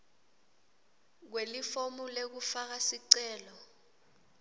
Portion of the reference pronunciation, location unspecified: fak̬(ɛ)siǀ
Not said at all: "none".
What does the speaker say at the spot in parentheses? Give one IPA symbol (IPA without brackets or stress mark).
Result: a